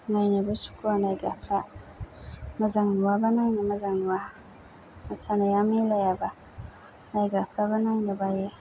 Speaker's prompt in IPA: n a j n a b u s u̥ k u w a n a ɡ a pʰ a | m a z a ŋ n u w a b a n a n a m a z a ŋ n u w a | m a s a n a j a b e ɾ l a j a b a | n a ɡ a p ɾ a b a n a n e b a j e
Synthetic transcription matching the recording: n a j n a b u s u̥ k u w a n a ɡ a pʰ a | m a z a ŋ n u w a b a n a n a m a z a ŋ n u w a | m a s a n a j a m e l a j a b a | n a ɡ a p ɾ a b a n a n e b a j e